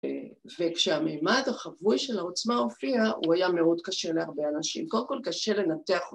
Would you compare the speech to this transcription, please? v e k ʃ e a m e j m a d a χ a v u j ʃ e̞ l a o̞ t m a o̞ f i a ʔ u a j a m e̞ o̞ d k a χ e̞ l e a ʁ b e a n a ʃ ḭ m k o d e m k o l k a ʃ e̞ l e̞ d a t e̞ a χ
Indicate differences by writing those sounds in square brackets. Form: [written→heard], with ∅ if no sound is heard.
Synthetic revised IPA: v e k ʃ e a m e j m a d a χ a v u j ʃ e̞ l a o̞ [t→t͡s] m a o̞ f i a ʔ u a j a m e̞ o̞ d k a [χ→ʃ] e̞ l e a ʁ b e a n a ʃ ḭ m k o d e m k o l k a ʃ e̞ l e̞ [d→n] a t e̞ a χ